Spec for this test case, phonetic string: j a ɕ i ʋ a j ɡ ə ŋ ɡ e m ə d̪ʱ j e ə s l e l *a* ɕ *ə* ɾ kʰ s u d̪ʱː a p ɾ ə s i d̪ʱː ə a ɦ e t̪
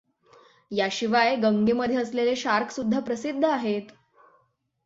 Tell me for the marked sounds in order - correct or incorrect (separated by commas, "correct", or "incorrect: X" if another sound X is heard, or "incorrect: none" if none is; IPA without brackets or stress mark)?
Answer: incorrect: e, incorrect: a